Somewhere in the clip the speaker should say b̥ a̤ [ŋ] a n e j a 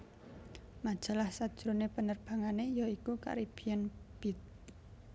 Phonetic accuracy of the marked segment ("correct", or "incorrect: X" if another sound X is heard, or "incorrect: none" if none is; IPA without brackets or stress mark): correct